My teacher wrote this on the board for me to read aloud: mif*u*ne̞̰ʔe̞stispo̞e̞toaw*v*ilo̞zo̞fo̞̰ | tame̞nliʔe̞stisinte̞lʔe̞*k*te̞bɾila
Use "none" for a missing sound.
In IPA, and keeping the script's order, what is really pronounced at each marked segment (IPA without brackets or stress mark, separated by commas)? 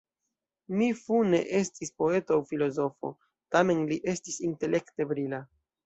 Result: u, f, k